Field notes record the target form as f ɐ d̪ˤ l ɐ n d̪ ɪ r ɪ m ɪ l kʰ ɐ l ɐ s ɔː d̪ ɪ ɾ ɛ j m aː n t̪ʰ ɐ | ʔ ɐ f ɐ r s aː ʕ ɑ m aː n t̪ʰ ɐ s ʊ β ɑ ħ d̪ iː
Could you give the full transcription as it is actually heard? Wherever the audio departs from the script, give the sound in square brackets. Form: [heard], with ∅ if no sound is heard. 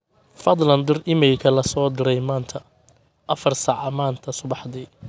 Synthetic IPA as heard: f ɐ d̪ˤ l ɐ n d̪ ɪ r ɪ m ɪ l kʰ ɐ l ɐ s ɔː d̪ ɪ ɾ ɛ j m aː n t̪ʰ ɐ | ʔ ɐ f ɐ r s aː ʕ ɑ m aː n t̪ʰ ɐ s ʊ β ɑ ħ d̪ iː